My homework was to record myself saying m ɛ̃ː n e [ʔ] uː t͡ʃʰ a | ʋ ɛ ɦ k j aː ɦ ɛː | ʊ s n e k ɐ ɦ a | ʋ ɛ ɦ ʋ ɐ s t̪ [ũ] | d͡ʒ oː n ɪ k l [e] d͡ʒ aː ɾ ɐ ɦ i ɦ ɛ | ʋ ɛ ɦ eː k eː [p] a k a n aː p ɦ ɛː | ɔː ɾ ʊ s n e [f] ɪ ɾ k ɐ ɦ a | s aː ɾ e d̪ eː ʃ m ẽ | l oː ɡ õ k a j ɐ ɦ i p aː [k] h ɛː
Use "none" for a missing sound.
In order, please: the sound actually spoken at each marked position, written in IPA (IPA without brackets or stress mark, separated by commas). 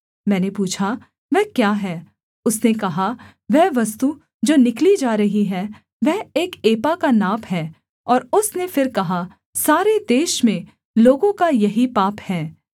p, u, i, p, f, p